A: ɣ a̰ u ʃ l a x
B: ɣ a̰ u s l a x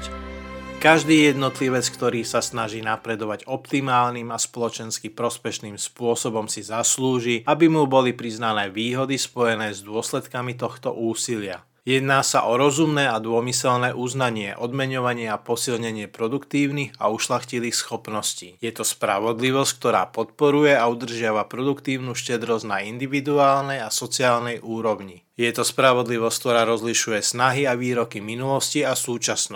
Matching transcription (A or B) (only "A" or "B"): A